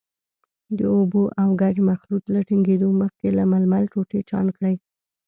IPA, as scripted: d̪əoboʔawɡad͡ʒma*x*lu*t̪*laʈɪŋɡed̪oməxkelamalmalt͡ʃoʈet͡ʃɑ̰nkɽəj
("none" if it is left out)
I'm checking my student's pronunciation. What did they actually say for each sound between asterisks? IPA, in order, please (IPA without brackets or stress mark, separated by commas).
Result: x, t̪